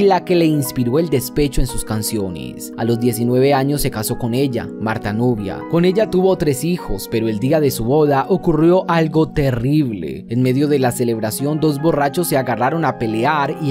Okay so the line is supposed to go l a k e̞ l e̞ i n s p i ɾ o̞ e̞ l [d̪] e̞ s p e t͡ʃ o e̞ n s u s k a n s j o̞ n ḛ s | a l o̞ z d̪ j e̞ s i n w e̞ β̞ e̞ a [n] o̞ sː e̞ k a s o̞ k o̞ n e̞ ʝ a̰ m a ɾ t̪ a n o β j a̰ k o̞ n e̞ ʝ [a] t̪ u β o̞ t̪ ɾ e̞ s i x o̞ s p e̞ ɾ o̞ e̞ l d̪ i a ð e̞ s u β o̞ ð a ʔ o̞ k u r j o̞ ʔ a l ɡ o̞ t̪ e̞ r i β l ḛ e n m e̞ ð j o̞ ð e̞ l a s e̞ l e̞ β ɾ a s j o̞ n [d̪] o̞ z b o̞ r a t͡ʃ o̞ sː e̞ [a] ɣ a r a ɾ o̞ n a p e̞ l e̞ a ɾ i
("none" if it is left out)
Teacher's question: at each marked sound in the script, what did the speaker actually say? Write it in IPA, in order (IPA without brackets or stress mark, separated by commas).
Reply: d̪, ɲ, a, d̪, a